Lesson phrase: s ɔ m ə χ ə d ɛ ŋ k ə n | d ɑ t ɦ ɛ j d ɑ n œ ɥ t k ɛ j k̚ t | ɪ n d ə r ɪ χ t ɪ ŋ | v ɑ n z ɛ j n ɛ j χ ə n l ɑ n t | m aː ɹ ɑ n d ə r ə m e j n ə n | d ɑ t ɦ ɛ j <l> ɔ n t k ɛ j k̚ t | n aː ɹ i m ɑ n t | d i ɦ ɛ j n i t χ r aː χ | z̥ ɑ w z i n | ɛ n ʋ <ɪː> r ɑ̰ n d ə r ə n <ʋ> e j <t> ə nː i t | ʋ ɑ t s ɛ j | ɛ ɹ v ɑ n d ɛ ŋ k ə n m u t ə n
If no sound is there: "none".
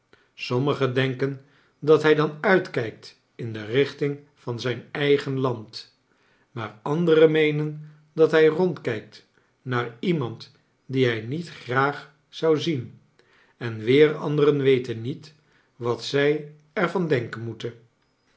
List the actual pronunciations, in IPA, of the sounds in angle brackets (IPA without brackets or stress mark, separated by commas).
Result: r, ɪː, ʋ, t